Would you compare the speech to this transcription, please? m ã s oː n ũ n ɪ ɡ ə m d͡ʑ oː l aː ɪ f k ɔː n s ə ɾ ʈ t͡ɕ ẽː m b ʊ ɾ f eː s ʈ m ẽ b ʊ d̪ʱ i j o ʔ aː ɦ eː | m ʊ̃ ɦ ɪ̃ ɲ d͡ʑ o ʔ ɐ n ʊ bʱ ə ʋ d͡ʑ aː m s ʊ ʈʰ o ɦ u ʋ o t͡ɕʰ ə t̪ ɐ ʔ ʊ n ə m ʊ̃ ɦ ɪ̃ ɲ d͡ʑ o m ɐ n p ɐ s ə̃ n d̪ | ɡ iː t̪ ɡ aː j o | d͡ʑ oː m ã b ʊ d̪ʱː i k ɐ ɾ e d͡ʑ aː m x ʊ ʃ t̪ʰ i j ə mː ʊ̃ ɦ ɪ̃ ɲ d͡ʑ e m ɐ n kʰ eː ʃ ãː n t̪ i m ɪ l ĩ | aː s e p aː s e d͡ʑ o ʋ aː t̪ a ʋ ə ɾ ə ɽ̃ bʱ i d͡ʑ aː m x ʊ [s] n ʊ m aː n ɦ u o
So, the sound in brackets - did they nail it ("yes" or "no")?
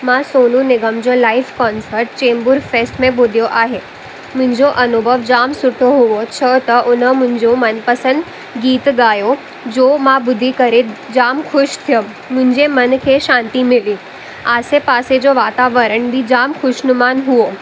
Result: no